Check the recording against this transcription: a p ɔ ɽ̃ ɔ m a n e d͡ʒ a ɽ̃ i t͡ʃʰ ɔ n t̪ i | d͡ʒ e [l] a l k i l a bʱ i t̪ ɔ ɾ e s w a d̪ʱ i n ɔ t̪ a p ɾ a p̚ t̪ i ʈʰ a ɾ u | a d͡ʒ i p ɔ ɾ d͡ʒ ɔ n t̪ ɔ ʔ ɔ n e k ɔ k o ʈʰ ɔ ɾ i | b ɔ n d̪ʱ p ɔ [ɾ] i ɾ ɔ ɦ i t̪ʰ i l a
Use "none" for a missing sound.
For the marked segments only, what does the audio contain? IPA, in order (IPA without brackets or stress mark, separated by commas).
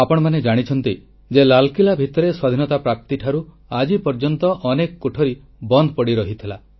l, ɽ